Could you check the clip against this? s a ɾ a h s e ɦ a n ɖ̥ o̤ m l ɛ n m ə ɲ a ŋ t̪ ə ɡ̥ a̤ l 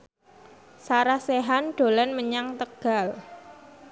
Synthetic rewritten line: s a ɾ a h s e ɦ a n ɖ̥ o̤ l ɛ n m ə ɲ a ŋ t̪ ə ɡ̥ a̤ l